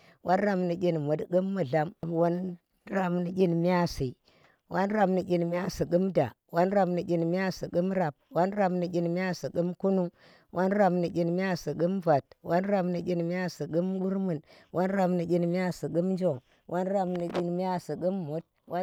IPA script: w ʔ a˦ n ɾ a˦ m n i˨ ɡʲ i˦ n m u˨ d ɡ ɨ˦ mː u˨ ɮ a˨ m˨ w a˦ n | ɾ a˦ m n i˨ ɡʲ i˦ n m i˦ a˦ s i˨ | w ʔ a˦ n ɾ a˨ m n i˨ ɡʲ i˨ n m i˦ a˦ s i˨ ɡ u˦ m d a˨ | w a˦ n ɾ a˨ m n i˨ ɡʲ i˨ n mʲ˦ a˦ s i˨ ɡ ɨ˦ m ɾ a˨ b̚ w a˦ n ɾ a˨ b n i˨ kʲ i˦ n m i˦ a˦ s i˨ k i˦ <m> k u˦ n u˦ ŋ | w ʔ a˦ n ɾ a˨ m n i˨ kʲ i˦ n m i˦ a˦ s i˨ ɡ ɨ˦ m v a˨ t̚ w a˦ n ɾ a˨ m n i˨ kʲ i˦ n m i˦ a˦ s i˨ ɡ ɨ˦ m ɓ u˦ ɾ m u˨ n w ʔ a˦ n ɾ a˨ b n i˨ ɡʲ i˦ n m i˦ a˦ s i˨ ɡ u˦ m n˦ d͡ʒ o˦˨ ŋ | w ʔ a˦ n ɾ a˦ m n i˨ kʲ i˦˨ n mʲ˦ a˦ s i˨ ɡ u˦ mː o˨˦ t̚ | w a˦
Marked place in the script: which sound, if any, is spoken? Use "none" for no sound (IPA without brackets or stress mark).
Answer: m